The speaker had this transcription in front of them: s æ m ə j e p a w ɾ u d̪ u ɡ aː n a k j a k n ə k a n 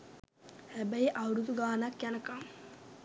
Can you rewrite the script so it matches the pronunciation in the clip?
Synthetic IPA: h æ b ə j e ʔ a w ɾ u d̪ u ɡ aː n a k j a n ə k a m